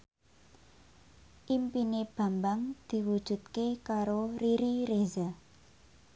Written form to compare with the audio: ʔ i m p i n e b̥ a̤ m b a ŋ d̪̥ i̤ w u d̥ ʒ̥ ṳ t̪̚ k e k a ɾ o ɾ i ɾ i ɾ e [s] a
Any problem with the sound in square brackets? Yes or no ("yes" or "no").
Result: yes